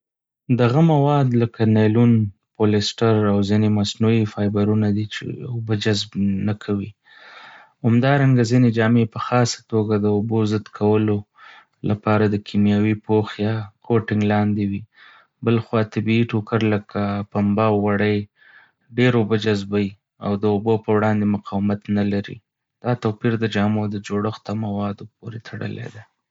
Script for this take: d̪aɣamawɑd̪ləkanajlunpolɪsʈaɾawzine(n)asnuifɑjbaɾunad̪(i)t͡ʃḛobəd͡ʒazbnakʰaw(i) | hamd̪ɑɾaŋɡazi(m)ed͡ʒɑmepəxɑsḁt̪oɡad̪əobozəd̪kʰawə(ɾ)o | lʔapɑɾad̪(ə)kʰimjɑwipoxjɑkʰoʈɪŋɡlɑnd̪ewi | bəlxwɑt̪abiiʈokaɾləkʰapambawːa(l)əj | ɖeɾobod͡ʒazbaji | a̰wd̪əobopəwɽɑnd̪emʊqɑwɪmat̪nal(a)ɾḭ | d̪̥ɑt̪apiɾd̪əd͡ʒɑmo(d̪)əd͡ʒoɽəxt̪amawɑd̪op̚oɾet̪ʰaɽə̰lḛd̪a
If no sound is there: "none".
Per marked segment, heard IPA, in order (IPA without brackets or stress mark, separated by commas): m, i, i, n, l, ə, ɽ, a, d̪